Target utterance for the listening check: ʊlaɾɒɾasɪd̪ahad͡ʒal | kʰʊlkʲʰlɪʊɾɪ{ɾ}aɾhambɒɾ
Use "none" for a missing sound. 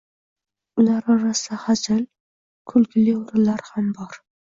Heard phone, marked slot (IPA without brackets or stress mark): l